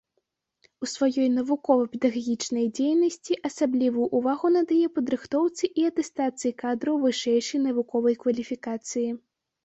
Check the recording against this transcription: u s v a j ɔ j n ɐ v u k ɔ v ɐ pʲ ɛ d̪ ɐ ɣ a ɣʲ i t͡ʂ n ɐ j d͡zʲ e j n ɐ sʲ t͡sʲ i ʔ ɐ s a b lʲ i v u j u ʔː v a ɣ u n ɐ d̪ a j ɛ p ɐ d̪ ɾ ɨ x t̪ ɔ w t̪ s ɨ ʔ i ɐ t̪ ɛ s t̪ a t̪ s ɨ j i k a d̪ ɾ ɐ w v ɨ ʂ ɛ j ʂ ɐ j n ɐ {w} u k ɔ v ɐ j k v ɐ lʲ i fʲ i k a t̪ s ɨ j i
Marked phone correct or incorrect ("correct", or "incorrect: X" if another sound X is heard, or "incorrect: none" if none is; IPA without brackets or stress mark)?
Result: incorrect: v